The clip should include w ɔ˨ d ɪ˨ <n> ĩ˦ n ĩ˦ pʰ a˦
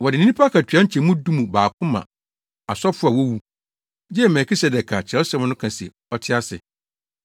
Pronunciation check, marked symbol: correct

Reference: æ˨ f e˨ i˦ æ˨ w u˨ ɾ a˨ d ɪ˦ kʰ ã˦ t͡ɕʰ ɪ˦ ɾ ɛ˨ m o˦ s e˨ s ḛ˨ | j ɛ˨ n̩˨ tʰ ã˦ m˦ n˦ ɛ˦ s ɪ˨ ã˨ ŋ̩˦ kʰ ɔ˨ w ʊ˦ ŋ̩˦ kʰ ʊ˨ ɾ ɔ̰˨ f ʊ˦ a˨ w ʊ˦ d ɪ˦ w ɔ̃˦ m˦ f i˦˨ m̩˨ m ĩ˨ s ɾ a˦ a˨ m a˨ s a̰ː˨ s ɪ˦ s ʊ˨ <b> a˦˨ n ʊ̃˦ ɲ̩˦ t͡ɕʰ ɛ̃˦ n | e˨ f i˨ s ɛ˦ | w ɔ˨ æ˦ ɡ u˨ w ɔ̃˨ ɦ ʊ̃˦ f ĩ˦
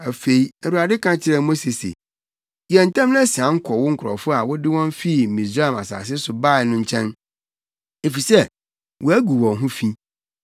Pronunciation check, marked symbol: correct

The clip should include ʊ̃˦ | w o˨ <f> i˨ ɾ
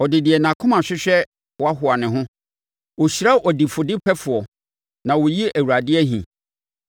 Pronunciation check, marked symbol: incorrect: ɕ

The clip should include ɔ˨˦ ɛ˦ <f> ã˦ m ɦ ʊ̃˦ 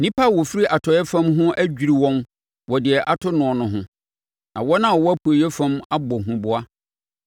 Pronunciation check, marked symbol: correct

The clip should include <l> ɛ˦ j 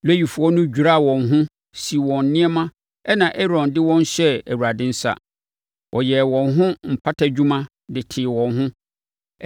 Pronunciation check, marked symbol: correct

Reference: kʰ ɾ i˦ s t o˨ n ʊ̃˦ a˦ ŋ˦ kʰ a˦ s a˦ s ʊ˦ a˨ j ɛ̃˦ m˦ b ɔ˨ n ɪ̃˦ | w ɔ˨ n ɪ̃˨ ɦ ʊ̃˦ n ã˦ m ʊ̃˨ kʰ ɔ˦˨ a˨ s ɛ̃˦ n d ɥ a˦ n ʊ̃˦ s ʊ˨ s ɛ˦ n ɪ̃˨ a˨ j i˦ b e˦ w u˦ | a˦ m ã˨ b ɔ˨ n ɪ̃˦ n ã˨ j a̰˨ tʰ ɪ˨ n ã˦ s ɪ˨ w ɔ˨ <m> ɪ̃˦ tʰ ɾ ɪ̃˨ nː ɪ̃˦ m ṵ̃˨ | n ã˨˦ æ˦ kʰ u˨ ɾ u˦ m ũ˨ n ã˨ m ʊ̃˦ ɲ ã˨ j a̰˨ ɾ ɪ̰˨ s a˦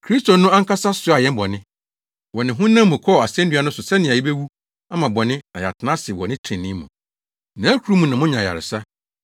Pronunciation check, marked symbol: incorrect: n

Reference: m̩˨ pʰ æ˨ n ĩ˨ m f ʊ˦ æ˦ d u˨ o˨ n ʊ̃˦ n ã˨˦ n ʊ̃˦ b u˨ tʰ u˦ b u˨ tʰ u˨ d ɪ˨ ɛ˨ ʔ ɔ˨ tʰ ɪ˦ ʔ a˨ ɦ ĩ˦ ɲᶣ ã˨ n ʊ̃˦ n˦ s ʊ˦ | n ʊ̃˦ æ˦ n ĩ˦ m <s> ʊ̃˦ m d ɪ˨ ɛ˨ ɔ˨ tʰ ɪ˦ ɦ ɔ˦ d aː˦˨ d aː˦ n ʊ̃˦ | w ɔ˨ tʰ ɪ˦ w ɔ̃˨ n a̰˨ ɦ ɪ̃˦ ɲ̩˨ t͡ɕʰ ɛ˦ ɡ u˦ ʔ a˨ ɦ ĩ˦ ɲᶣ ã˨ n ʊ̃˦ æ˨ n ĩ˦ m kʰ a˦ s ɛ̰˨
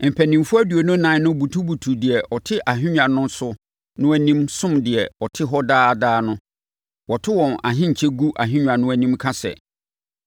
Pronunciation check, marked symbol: correct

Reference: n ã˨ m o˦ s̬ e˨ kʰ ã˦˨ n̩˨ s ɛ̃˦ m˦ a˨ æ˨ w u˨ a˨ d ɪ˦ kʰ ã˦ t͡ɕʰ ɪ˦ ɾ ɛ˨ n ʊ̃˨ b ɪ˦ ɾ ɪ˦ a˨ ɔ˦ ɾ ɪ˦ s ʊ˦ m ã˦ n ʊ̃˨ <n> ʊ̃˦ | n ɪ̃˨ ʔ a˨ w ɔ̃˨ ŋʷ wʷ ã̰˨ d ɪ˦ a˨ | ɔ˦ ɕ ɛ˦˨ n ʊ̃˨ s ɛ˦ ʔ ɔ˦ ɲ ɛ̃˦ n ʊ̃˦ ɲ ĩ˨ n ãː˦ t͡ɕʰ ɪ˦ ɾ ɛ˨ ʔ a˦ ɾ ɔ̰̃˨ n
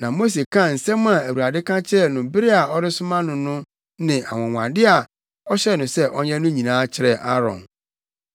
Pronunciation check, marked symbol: correct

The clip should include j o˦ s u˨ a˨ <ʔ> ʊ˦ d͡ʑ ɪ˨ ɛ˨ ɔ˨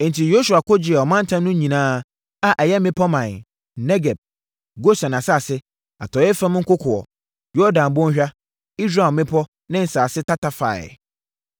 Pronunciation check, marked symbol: incorrect: k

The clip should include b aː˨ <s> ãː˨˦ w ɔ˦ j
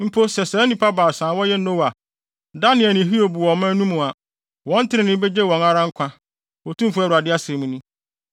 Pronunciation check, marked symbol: correct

